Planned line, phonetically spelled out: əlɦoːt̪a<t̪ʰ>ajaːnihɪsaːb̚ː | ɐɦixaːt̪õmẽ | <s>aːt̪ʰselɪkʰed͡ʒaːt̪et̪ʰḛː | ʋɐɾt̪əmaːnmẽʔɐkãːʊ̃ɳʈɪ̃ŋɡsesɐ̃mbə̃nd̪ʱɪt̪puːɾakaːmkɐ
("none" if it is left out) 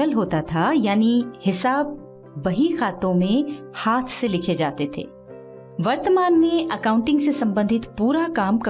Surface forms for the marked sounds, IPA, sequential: t̪ʰ, h

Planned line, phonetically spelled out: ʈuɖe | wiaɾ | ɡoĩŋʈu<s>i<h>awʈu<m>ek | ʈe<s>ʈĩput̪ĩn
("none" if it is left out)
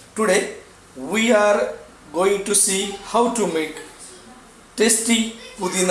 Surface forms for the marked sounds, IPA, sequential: s, h, m, s

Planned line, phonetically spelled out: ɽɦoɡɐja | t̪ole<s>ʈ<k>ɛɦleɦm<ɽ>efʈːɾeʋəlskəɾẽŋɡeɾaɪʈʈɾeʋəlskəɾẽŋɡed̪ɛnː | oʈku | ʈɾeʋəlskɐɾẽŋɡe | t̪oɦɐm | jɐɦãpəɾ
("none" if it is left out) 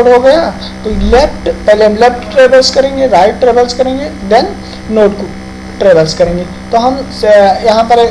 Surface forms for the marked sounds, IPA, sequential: f, p, l

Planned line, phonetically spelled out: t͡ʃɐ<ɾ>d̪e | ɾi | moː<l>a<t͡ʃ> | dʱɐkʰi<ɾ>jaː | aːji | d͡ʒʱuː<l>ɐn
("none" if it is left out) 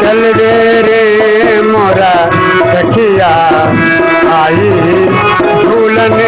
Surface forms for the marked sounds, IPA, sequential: l, ɾ, none, none, l

